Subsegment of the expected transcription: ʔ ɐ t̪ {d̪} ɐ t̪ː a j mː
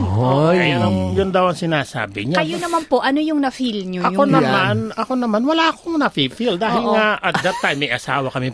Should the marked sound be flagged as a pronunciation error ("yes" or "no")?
no